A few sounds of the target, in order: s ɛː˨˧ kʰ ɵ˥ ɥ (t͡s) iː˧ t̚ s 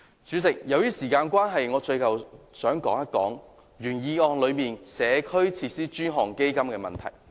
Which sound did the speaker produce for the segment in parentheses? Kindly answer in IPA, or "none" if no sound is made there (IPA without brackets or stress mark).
t͡sʰ